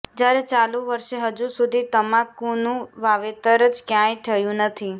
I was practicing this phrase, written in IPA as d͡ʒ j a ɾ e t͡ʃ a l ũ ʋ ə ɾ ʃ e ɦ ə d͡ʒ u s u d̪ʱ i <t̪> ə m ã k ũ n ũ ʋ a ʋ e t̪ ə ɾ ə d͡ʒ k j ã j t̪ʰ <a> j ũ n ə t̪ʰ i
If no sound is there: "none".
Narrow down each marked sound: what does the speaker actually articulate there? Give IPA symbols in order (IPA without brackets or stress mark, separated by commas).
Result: t̪, ə